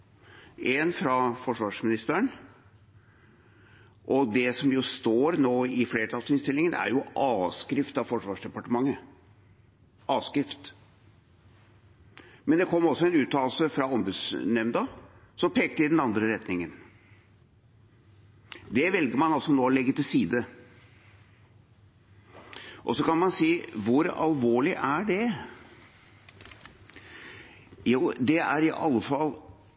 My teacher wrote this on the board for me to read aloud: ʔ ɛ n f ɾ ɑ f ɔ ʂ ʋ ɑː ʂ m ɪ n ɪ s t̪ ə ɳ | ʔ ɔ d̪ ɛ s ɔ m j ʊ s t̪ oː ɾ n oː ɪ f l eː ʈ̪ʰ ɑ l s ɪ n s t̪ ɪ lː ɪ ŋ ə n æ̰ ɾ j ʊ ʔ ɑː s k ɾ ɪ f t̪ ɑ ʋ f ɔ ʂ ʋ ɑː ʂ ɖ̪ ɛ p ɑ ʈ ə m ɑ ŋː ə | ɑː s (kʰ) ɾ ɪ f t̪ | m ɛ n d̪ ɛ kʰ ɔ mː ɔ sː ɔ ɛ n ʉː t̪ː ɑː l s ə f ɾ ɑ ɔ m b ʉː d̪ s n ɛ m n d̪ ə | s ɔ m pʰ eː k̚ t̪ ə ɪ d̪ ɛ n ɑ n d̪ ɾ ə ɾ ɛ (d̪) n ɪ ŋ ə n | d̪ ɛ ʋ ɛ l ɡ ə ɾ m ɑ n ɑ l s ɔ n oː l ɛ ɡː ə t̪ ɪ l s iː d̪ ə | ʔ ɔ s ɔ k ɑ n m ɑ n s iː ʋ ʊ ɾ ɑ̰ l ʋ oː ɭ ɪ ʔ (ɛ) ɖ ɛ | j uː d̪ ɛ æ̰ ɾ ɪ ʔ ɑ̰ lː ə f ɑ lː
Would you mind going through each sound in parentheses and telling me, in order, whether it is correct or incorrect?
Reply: incorrect: k, incorrect: t̪, incorrect: æ

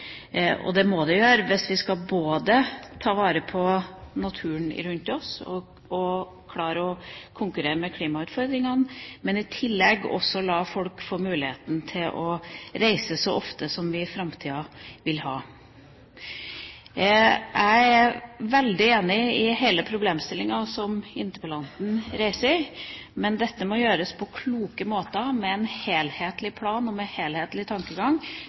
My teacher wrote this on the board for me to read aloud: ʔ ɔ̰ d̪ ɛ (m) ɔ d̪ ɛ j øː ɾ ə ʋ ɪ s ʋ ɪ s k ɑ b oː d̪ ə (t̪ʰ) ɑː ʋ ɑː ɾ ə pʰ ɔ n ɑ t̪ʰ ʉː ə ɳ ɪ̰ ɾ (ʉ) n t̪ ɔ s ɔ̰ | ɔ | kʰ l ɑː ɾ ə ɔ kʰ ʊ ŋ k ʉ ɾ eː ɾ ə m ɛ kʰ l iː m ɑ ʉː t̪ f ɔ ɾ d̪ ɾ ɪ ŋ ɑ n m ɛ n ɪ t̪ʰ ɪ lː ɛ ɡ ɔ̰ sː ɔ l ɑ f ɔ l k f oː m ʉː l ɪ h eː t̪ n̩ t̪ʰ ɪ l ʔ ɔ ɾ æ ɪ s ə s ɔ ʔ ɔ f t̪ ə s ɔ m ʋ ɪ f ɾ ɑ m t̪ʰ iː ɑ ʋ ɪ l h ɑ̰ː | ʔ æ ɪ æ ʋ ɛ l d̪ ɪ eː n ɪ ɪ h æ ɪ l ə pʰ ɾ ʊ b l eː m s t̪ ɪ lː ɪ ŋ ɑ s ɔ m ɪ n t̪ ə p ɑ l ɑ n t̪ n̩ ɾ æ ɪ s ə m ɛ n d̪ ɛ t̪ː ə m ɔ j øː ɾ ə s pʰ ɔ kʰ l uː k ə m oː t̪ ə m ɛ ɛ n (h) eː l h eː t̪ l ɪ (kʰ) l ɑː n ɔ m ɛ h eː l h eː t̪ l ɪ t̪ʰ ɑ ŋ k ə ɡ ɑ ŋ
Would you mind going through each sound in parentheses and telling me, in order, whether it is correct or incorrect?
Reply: correct, correct, correct, correct, incorrect: pʰ

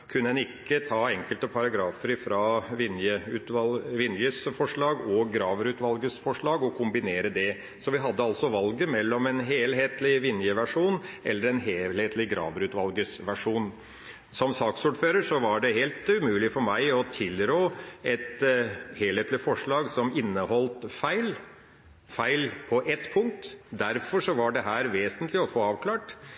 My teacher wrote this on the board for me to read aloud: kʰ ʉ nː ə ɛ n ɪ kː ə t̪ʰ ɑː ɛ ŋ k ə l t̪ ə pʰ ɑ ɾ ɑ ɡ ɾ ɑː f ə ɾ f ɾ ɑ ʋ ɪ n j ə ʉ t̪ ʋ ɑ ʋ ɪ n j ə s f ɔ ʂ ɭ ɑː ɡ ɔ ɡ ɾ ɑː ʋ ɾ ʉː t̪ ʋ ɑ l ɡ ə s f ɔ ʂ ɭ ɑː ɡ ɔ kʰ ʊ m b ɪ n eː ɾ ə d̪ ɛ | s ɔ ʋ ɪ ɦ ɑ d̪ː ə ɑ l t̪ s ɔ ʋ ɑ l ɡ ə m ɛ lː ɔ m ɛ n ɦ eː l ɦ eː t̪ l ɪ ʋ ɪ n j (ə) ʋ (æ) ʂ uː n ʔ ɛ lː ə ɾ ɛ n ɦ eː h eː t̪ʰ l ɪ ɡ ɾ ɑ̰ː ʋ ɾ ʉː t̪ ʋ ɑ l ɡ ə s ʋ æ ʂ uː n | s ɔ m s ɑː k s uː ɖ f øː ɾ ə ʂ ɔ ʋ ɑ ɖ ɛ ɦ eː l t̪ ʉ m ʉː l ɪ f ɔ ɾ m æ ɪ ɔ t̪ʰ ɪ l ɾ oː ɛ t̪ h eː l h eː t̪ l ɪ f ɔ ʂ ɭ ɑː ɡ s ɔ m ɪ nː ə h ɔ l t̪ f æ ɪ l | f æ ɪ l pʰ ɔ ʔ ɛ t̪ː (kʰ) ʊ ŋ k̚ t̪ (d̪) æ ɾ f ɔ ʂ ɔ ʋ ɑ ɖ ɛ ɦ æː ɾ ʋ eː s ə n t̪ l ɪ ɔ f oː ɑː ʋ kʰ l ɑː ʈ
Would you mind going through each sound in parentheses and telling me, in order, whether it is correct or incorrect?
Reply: correct, correct, incorrect: pʰ, correct

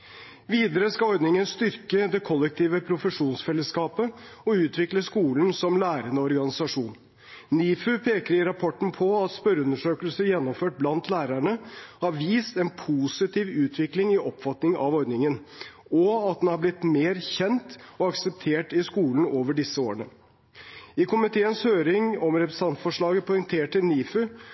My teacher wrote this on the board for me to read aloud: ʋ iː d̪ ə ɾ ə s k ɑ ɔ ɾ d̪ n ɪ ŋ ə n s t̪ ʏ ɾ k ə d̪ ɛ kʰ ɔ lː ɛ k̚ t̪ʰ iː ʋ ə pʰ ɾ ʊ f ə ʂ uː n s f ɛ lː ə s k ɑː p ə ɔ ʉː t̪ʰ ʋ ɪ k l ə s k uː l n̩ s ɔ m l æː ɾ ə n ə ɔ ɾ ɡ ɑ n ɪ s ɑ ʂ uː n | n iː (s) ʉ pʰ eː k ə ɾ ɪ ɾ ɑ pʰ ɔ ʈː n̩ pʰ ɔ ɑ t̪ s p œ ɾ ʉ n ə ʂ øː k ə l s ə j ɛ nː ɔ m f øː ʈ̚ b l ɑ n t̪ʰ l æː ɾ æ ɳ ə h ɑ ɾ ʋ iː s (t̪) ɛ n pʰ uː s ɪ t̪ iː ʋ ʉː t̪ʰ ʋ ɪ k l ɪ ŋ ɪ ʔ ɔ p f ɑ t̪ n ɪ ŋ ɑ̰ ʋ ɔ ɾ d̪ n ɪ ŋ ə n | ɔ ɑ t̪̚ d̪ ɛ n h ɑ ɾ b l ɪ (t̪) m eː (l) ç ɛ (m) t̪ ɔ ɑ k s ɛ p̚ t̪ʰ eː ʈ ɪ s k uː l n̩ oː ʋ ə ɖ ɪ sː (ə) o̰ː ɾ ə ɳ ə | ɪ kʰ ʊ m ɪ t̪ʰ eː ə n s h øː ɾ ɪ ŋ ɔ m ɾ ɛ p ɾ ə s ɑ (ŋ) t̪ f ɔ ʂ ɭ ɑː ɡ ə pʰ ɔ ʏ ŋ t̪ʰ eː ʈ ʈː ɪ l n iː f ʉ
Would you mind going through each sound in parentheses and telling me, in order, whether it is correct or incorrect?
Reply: incorrect: f, correct, correct, incorrect: ɾ, incorrect: n, correct, incorrect: n

